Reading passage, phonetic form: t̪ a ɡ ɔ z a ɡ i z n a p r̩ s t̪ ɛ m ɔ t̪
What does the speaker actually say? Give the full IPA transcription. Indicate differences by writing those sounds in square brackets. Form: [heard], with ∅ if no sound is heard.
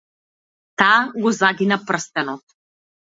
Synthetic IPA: t̪ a ɡ ɔ z a ɡ i [∅] n a p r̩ s t̪ ɛ [n] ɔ t̪